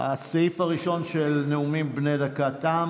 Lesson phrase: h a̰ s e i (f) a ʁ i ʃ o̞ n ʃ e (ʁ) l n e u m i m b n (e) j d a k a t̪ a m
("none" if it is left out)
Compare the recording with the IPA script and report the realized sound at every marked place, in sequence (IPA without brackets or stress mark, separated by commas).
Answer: f, none, e